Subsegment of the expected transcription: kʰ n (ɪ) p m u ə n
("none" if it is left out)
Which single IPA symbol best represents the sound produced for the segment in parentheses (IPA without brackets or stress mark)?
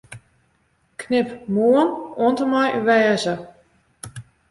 ɪ